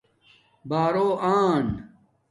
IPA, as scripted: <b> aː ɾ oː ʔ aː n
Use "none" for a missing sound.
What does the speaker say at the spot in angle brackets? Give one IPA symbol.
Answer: b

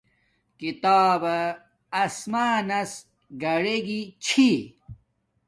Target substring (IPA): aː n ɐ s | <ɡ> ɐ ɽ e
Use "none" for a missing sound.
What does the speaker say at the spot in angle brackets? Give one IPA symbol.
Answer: ɡ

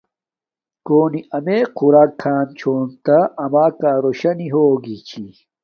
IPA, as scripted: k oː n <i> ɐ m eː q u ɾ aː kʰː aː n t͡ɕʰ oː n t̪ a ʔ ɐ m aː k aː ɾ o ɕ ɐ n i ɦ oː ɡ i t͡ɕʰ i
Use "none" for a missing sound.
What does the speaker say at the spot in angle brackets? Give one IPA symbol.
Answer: i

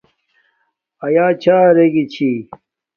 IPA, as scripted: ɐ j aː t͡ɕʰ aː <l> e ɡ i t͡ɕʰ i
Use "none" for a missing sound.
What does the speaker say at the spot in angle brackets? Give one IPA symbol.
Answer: ɾ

